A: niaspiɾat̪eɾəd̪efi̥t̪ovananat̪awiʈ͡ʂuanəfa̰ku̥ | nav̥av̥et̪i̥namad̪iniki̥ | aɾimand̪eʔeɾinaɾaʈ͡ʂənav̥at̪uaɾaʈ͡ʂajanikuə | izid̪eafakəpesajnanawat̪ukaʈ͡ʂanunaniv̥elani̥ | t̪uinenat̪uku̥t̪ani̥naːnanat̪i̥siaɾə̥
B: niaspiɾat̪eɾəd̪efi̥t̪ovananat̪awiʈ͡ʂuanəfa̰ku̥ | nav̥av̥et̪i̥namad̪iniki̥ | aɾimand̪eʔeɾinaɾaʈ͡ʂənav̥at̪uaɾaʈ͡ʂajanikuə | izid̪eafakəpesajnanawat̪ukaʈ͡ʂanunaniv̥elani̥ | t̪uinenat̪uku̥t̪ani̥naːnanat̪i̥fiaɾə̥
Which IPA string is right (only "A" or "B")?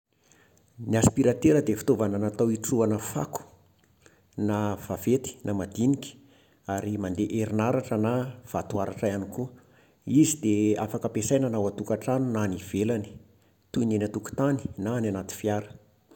B